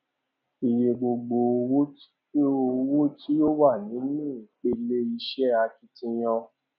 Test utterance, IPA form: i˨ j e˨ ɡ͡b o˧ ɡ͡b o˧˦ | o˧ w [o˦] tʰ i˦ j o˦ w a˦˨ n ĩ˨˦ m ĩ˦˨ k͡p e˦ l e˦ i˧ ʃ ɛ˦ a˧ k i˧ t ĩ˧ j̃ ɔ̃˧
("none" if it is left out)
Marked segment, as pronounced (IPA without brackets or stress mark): u˦